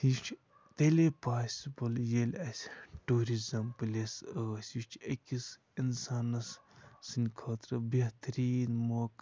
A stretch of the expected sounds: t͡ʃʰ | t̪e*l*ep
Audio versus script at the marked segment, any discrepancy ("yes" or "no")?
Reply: no